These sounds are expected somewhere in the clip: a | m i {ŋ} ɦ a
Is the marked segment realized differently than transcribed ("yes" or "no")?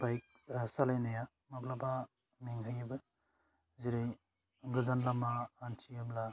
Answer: no